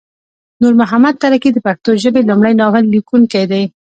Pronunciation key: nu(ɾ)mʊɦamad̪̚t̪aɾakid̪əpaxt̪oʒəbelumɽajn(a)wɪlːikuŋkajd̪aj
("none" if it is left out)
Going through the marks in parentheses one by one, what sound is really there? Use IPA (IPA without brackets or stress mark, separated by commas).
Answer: ɾ, ɑ